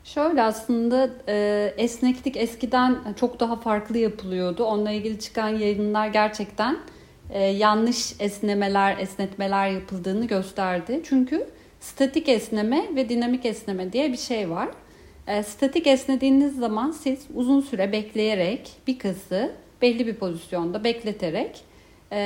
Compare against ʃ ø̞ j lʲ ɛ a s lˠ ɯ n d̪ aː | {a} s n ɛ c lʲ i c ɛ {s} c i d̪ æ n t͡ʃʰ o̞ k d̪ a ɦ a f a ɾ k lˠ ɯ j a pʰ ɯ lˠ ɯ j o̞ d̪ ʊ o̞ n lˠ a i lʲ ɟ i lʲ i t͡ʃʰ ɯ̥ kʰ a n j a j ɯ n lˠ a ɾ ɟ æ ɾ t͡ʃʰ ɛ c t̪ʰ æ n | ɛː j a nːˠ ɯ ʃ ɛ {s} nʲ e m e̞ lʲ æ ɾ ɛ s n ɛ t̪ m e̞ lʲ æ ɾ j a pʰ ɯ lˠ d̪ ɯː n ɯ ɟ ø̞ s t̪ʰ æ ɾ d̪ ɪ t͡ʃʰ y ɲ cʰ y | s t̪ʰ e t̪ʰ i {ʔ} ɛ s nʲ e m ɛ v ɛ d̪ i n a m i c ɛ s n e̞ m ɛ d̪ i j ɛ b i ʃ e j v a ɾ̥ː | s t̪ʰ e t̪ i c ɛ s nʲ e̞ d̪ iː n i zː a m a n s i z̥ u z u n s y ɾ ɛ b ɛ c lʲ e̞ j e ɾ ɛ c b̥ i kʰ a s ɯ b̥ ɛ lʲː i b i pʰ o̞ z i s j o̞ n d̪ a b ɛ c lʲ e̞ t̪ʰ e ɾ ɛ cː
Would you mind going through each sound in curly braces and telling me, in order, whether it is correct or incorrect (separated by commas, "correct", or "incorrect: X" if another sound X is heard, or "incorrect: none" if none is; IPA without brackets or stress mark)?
incorrect: ɛ, correct, correct, incorrect: c